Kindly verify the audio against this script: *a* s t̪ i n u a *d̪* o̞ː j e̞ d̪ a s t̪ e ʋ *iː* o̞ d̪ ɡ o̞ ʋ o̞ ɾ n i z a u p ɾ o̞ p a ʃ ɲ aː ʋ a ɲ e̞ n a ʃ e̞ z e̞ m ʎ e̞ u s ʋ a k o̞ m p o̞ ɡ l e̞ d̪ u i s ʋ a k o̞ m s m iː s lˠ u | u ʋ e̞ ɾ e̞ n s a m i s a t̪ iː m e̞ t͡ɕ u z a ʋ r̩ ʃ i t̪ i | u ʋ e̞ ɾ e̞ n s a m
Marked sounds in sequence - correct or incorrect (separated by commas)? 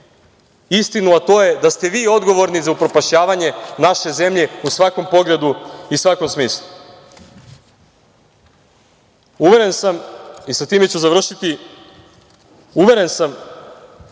incorrect, incorrect, correct